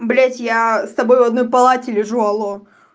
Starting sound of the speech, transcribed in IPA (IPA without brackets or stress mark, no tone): b